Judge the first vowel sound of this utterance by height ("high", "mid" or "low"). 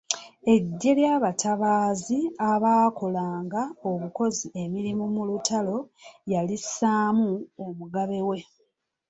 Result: mid